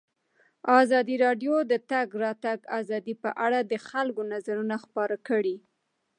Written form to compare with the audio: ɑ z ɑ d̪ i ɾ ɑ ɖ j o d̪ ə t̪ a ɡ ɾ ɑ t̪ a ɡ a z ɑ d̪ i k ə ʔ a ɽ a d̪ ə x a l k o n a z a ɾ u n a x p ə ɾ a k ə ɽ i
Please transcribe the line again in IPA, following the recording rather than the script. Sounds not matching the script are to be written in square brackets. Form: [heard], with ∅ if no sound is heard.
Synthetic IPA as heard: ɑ z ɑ d̪ i ɾ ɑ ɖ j o d̪ ə t̪ a ɡ ɾ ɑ t̪ a ɡ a z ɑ d̪ i [p] ə ʔ a ɽ a d̪ ə x a l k o n a z a ɾ u n a x p [ɑ] ɾ a k ə ɽ i